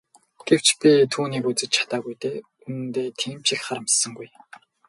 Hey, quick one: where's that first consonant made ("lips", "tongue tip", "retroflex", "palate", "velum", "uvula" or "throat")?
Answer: velum